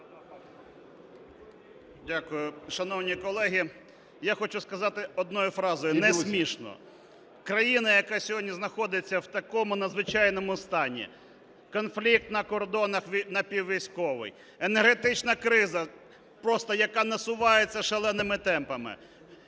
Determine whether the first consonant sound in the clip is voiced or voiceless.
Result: voiced